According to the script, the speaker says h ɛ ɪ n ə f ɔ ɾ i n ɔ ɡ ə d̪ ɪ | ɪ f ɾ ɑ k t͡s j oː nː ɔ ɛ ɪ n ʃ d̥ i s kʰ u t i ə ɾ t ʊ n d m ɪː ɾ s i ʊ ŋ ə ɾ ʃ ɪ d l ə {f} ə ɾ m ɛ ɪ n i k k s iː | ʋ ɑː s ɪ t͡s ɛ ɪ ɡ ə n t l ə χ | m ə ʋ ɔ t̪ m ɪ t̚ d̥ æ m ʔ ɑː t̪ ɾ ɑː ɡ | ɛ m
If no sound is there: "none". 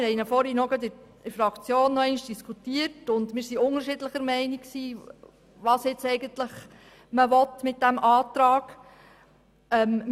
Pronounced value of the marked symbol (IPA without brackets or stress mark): χ